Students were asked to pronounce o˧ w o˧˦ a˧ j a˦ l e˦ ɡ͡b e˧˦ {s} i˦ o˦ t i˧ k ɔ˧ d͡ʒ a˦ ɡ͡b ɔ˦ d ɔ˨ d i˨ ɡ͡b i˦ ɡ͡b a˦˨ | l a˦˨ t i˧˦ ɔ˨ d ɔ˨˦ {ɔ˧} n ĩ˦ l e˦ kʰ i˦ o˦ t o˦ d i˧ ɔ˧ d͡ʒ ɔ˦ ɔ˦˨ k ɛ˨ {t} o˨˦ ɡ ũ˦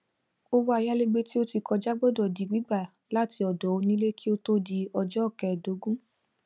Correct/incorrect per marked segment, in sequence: incorrect: t, incorrect: o˧, incorrect: d

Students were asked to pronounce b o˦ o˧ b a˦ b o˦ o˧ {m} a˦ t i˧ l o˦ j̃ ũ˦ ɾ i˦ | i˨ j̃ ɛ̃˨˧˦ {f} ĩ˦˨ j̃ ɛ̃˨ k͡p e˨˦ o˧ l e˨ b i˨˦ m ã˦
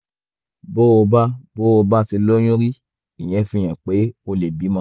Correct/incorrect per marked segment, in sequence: incorrect: b, correct

